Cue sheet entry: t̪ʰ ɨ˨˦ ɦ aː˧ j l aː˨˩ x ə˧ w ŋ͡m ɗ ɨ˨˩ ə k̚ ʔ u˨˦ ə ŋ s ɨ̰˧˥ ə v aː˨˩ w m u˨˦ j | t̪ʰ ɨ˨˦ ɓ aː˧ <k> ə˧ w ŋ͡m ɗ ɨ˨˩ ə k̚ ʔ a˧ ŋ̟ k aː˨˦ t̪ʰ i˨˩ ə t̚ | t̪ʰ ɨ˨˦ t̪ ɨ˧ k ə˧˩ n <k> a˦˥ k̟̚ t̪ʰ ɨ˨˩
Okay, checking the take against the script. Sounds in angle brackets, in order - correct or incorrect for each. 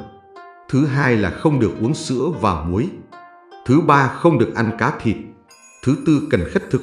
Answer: incorrect, incorrect

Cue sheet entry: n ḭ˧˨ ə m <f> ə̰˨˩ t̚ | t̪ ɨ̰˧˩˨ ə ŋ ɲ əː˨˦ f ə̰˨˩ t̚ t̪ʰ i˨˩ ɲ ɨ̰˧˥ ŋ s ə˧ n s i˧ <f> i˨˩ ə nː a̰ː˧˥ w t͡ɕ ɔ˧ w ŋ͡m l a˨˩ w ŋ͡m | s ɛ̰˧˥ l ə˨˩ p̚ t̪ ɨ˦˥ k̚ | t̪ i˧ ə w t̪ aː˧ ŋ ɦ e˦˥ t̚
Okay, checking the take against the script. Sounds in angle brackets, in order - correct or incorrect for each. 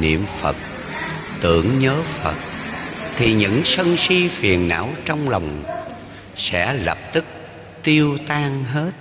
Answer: correct, correct

